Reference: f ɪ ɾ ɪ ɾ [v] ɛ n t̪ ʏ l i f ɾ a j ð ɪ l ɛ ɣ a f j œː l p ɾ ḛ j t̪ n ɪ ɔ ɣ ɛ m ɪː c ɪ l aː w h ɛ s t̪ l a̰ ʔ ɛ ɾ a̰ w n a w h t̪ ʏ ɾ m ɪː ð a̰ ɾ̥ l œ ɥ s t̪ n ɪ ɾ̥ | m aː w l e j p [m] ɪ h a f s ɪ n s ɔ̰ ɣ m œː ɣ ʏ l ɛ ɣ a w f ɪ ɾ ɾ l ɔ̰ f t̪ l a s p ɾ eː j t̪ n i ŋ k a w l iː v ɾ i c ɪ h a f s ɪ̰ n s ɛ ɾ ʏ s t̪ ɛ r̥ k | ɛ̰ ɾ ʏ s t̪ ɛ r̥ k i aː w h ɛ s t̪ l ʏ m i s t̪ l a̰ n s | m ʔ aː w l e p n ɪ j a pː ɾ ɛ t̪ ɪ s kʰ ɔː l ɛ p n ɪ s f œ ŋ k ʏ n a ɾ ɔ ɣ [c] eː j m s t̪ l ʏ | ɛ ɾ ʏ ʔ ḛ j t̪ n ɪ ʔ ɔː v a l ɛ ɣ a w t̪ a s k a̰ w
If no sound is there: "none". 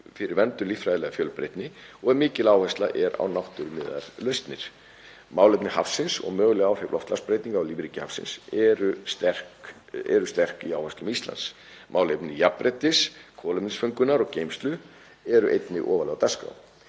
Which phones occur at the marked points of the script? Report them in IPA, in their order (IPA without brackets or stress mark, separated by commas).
v, n, c